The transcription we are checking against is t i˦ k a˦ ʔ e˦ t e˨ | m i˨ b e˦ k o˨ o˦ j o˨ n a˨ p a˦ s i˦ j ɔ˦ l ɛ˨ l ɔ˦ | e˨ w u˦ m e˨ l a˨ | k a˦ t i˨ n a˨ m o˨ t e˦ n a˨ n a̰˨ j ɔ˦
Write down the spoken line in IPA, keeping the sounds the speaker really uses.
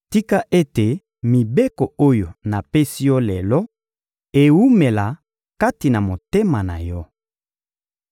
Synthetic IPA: t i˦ k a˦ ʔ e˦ t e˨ | m i˨ b e˦ k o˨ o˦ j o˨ n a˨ p e˦ s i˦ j ɔ˦ l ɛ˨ l ɔ˦ | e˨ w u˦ m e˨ l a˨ | k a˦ t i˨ n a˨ m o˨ t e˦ m a˨ n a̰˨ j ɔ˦

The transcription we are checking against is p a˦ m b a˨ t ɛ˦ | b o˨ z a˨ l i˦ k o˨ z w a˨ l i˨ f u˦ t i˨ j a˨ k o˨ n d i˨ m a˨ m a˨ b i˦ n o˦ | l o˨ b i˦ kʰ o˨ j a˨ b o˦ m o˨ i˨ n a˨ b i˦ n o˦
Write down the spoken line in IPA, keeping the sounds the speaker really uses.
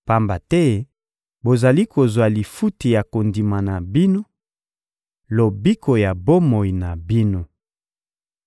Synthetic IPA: p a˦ m b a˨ t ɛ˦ | b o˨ z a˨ l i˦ k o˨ z w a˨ l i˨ f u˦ t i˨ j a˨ k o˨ n d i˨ m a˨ n a˨ b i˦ n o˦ | l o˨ b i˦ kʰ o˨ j a˨ b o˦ m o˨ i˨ n a˨ b i˦ n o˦

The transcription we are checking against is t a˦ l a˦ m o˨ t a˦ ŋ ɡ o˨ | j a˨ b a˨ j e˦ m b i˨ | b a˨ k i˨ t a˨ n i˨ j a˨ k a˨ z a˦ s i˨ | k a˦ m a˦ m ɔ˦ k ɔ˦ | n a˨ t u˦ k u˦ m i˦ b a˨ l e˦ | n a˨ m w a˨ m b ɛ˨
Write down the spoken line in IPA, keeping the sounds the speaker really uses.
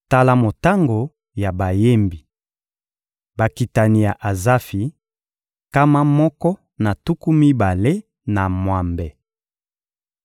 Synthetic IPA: t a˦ l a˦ m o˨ t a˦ ŋ ɡ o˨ | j a˨ b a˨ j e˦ m b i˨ | b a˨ k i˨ t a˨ n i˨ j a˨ ʔ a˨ z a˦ f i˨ | k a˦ m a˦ m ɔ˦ k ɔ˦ | n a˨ t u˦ k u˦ m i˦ b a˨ l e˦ | n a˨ m w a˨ m b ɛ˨

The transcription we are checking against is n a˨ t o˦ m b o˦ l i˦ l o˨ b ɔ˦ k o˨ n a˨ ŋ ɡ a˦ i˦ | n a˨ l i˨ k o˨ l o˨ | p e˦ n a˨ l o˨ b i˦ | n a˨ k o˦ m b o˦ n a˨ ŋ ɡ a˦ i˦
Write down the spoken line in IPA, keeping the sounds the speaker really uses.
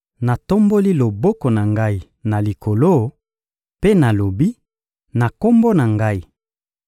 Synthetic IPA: n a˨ t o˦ m b o˦ l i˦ l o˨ b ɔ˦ k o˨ n a˨ ŋ ɡ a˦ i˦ | n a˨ l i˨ k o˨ l o˦ | p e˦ n a˨ l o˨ b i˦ | n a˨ k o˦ m b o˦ n a˨ ŋ ɡ a˦ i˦

